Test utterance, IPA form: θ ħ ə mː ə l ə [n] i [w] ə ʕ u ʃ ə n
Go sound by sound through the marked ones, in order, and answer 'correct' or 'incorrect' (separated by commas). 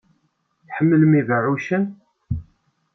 incorrect, incorrect